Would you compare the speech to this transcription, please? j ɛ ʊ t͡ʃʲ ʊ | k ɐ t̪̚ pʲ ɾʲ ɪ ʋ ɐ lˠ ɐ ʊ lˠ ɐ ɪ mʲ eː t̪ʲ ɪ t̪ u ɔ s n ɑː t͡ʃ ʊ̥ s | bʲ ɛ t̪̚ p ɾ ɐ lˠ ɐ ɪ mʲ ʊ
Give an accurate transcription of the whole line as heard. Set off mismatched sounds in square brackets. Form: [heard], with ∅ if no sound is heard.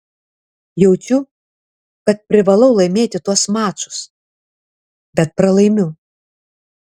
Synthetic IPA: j ɛ ʊ t͡ʃʲ ʊ | k ɐ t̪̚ pʲ ɾʲ ɪ ʋ ɐ lˠ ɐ ʊ lˠ ɐ ɪ mʲ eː t̪ʲ ɪ t̪ u ɔ s [m] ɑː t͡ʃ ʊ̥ s | bʲ ɛ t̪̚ p ɾ ɐ lˠ ɐ ɪ mʲ ʊ

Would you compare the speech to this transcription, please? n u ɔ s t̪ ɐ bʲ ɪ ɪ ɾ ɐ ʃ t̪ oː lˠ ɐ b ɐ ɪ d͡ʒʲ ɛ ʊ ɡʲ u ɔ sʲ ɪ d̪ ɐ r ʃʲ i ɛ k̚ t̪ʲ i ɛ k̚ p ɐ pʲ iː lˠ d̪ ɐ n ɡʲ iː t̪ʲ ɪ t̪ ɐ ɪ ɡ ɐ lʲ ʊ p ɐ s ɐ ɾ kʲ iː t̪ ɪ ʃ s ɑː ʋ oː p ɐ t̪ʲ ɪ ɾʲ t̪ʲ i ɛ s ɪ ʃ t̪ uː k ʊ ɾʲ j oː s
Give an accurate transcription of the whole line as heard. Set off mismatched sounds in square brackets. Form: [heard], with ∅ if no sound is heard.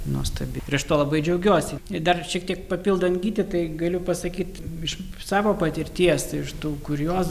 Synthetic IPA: n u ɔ s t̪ ɐ bʲ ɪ ɪ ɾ ɐ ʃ t̪ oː lˠ ɐ b ɐ ɪ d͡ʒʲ ɛ ʊ ɡʲ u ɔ sʲ ɪ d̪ ɐ r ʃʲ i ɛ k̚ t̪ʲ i ɛ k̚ p ɐ pʲ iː lˠ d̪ ɐ n ɡʲ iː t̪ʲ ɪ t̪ ɐ ɪ ɡ ɐ lʲ ʊ p ɐ s ɐ [∅] kʲ iː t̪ ɪ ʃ s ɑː ʋ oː p ɐ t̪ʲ ɪ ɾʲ t̪ʲ i ɛ s ɪ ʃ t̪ uː k ʊ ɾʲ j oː s

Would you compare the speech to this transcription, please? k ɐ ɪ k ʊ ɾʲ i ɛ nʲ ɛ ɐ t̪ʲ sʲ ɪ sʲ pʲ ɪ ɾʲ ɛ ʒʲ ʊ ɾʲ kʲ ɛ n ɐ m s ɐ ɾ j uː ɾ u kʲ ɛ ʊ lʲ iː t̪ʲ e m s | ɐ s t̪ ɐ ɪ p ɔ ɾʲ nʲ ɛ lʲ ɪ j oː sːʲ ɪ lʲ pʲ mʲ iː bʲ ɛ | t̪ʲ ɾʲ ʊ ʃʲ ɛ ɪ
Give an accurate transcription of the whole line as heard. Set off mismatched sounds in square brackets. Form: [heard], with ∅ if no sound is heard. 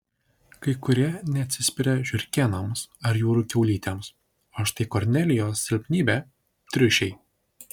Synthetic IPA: k ɐ ɪ k ʊ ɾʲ i ɛ nʲ ɛ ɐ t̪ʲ sʲ ɪ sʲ pʲ ɪ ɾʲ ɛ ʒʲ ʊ ɾʲ kʲ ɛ n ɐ m s ɐ ɾ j uː ɾ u kʲ ɛ ʊ lʲ iː t̪ʲ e m s | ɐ [ʃ] t̪ ɐ ɪ [k] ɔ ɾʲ nʲ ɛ lʲ ɪ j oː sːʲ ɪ lʲ pʲ [nʲ] iː bʲ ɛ | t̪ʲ ɾʲ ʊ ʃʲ ɛ ɪ

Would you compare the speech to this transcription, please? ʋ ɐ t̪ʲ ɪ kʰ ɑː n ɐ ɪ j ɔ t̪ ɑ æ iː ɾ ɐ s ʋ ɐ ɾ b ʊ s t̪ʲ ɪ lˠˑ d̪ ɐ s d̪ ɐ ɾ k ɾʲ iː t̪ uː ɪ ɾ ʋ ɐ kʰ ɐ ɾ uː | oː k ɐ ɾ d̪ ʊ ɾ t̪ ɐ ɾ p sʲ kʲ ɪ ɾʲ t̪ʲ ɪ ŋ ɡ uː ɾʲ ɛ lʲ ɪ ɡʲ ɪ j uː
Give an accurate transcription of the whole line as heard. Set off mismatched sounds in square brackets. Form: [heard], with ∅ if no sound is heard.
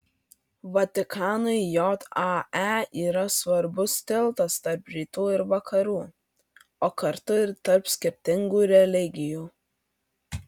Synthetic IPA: ʋ ɐ t̪ʲ ɪ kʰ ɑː n ɐ ɪ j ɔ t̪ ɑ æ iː ɾ ɐ s ʋ ɐ ɾ b ʊ s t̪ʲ ɪ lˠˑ [t̪] ɐ s [t̪] ɐ ɾ [p] ɾʲ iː t̪ uː ɪ ɾ ʋ ɐ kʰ ɐ ɾ uː | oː k ɐ ɾ [t̪] ʊ ɾ t̪ ɐ ɾ p sʲ kʲ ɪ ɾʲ t̪ʲ ɪ ŋ ɡ uː ɾʲ ɛ lʲ ɪ ɡʲ ɪ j uː

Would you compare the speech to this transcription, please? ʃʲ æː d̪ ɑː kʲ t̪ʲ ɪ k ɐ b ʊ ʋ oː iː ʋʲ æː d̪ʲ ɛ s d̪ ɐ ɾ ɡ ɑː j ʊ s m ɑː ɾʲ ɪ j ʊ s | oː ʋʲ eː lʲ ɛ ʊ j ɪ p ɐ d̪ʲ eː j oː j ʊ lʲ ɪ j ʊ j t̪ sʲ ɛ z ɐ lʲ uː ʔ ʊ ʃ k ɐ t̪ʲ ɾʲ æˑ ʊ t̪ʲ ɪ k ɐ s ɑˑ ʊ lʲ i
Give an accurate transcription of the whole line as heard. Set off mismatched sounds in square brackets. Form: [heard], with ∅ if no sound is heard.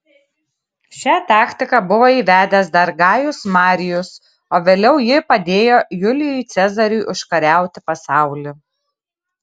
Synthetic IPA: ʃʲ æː [t̪] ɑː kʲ t̪ʲ ɪ k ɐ b ʊ ʋ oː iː ʋʲ æː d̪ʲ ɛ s d̪ ɐ ɾ ɡ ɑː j ʊ s m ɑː ɾʲ ɪ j ʊ s | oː ʋʲ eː lʲ ɛ ʊ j ɪ p ɐ d̪ʲ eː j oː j ʊ lʲ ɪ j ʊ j t̪ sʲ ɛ z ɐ [ɾʲ] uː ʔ ʊ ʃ k ɐ [∅] ɾʲ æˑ ʊ t̪ʲ ɪ [p] ɐ s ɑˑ ʊ lʲ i

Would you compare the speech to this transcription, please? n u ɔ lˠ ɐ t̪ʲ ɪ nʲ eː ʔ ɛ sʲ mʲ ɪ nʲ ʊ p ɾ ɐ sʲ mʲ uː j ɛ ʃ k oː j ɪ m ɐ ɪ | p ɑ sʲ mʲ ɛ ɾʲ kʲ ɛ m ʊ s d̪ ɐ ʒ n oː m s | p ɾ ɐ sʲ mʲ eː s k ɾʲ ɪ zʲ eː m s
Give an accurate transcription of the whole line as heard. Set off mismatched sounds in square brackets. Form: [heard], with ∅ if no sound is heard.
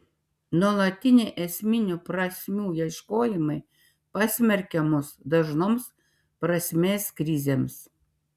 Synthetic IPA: n u ɔ lˠ ɐ t̪ʲ ɪ nʲ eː ʔ ɛ sʲ mʲ ɪ nʲ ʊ p ɾ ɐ sʲ mʲ uː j ɛ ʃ k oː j ɪ m ɐ ɪ | p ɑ sʲ mʲ ɛ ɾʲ kʲ ɛ m ʊ s d̪ ɐ ʒ n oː m s | p ɾ ɐ sʲ mʲ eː s k ɾʲ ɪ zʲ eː m s

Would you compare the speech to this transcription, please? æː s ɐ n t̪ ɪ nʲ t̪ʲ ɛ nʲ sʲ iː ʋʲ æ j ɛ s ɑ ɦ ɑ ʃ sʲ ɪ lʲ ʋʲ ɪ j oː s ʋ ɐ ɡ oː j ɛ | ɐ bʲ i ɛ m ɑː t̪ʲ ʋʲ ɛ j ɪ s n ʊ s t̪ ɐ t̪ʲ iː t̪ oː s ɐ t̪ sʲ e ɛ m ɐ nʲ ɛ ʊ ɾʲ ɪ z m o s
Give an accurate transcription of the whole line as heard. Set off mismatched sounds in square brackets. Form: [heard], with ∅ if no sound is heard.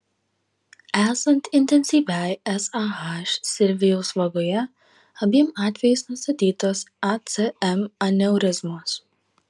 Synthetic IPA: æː s ɐ n t̪ ɪ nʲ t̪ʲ ɛ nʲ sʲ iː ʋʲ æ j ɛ s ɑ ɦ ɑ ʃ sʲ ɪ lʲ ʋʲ ɪ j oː s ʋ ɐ ɡ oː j ɛ | ɐ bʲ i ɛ m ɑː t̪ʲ ʋʲ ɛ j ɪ s n ʊ s t̪ ɐ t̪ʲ iː t̪ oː s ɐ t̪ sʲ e ɛ m ɐ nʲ ɛ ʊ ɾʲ ɪ z m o s

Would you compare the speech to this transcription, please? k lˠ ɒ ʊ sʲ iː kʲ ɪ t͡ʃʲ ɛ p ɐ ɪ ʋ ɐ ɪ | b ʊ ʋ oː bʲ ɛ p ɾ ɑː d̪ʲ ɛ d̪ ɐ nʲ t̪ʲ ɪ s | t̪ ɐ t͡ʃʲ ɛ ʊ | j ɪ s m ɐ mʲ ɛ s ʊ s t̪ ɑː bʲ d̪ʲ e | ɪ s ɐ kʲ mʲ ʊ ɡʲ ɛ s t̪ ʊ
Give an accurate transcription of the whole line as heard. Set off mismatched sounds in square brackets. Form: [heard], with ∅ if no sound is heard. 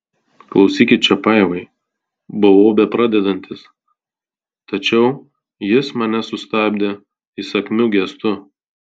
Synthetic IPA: k lˠ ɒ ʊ sʲ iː kʲ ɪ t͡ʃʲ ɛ p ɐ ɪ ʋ ɐ ɪ | b ʊ ʋ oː bʲ ɛ p ɾ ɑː d̪ʲ ɛ d̪ ɐ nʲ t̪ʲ ɪ s | t̪ ɐ t͡ʃʲ ɛ ʊ | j ɪ s m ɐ [nʲ] ɛ s ʊ s t̪ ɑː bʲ d̪ʲ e | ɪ s ɐ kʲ mʲ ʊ ɡʲ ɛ s t̪ ʊ

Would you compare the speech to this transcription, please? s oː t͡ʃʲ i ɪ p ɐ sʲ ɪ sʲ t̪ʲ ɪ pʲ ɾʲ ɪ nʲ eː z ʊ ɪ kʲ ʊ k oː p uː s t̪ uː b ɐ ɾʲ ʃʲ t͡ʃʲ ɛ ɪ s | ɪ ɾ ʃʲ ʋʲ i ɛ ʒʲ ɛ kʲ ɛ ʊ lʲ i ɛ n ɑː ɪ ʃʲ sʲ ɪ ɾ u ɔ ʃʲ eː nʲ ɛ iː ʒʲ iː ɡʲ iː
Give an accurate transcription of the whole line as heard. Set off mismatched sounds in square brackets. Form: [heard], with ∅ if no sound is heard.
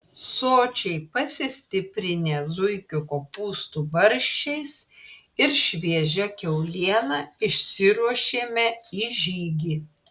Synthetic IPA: s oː t͡ʃʲ [ɛ] ɪ p ɐ sʲ ɪ sʲ t̪ʲ ɪ pʲ ɾʲ ɪ nʲ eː z ʊ ɪ kʲ ʊ k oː p uː s t̪ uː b ɐ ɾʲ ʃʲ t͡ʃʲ ɛ ɪ s | ɪ ɾ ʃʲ ʋʲ i ɛ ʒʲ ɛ kʲ ɛ ʊ lʲ i ɛ n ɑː ɪ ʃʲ sʲ ɪ ɾ u ɔ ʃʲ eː [mʲ] ɛ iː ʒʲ iː ɡʲ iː

